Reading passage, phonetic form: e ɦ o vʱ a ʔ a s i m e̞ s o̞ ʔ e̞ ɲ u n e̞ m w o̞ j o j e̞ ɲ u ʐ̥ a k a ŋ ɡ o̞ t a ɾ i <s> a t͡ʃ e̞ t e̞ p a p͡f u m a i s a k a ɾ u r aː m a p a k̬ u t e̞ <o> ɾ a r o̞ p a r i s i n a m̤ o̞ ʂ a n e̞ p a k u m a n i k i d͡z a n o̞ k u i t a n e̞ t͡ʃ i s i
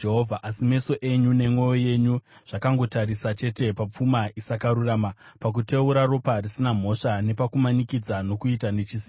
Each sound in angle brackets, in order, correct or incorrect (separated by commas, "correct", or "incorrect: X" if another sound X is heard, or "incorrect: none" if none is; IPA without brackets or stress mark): correct, incorrect: u